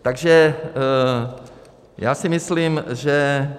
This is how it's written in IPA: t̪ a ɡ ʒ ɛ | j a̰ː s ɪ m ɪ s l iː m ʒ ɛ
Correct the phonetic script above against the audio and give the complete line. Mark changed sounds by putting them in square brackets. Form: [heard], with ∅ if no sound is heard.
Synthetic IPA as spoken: t̪ a ɡ ʒ ɛ | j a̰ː s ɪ m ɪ s l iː m ʒ ɛ